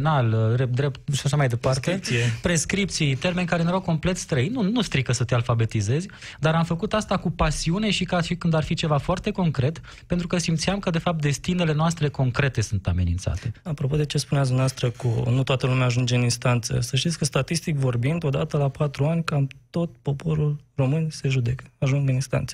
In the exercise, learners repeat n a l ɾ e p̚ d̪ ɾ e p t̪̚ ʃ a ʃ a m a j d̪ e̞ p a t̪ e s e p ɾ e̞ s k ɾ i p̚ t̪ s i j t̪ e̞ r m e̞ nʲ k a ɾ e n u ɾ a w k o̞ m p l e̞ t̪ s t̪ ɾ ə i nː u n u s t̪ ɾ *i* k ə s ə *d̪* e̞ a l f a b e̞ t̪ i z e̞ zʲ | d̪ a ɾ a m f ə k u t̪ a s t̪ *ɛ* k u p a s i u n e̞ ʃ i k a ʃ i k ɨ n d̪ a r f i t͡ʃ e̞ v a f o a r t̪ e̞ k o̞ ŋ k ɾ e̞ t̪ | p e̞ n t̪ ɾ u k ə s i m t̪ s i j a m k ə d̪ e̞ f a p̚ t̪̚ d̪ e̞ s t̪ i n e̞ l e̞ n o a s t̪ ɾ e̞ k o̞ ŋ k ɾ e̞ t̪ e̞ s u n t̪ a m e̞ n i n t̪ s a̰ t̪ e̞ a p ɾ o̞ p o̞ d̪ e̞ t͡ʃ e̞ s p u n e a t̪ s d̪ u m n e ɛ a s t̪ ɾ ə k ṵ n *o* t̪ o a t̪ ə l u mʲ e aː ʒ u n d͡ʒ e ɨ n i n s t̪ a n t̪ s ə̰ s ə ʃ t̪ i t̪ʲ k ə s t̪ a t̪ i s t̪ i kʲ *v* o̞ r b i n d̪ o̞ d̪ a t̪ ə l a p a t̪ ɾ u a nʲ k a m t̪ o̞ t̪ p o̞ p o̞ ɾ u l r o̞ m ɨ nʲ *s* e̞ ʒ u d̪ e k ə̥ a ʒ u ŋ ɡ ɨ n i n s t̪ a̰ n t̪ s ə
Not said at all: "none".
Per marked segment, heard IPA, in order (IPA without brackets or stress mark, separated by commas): i, t̪, a, u, v, s